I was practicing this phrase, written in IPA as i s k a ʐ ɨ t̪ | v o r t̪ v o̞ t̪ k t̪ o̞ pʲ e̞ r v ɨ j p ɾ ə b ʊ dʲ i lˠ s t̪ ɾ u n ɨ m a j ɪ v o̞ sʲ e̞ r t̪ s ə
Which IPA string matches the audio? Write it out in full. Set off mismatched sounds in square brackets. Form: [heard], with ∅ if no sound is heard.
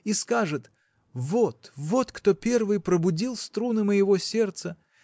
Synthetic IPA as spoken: i s k a ʐ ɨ t̪ | v o [∅] t̪ v o̞ t̪ k t̪ o̞ pʲ e̞ r v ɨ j p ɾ ə b ʊ dʲ i lˠ s t̪ ɾ u n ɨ m [ə] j ɪ v o̞ sʲ e̞ r t̪ s ə